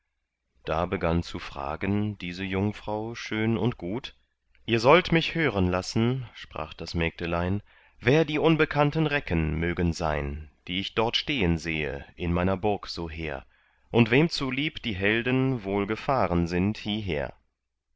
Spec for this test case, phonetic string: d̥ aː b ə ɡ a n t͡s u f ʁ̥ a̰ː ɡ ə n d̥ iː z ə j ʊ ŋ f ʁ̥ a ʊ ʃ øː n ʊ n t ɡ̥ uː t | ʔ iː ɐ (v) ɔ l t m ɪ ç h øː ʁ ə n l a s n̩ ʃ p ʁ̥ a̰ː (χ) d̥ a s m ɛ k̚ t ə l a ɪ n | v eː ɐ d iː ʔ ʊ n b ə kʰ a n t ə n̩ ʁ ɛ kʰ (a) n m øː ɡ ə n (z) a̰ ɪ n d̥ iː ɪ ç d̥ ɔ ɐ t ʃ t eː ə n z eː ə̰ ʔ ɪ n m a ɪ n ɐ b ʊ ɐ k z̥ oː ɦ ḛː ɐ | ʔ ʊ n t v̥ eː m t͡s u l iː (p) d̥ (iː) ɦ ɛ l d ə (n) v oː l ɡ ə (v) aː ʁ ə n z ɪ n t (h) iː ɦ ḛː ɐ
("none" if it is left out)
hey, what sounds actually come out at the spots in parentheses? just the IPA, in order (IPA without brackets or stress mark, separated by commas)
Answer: z, χ, ə, z, p, iː, n, f, h